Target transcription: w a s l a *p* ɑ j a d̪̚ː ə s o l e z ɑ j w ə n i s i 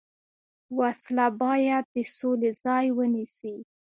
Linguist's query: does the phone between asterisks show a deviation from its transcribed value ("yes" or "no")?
yes